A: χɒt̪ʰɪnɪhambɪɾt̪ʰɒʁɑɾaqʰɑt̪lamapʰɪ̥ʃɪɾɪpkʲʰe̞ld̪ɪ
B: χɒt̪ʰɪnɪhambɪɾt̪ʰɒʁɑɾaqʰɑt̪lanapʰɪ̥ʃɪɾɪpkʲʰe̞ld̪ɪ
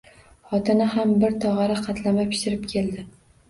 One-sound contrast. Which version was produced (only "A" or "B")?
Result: A